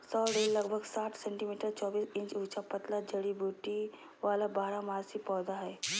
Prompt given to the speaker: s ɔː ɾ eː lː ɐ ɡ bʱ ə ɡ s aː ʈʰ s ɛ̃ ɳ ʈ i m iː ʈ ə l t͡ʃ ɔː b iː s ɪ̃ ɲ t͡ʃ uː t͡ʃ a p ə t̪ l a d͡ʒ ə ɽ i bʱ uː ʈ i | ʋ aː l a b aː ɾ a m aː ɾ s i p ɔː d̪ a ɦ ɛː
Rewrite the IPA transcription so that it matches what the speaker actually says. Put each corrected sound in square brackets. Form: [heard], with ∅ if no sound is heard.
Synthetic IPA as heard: s ɔː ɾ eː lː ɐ ɡ bʱ ə ɡ s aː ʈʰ s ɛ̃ ɳ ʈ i m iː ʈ ə [ɾ] t͡ʃ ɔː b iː s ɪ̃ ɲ t͡ʃ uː t͡ʃ a p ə t̪ l a d͡ʒ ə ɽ i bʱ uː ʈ i | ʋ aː l a b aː ɾ a m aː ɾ s i p ɔː d̪ a ɦ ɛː